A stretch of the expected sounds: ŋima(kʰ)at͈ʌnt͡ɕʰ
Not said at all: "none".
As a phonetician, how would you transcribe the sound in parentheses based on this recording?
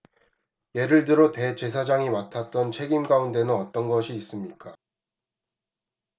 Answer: tʰ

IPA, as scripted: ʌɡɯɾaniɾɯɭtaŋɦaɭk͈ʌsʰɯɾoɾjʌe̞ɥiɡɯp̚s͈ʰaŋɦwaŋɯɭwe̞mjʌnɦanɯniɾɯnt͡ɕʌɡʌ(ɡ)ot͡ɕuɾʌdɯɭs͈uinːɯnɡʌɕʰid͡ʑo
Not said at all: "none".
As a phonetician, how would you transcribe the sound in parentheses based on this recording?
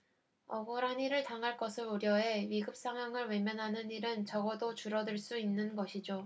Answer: d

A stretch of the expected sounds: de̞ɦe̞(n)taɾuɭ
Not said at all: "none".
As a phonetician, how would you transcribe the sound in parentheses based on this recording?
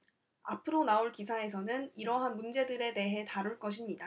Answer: none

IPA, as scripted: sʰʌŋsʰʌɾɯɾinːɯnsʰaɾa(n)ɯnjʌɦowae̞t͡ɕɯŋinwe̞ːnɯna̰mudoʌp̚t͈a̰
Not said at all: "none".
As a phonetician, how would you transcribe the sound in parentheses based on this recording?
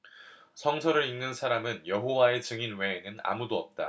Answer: m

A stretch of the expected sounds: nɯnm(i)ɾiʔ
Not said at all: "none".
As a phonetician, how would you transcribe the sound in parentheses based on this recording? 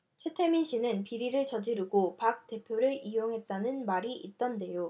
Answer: a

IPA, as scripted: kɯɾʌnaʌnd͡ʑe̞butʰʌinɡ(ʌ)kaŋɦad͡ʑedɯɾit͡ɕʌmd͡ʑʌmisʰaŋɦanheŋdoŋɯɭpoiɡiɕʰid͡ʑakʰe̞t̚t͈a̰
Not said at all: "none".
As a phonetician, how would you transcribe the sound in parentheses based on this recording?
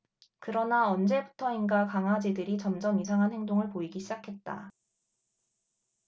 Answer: a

